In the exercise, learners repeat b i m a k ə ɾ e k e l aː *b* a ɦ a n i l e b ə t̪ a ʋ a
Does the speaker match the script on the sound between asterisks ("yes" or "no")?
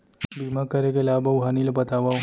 yes